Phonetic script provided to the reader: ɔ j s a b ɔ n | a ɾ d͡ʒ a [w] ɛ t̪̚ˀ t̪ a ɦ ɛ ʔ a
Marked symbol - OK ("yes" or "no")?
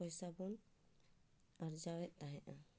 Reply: yes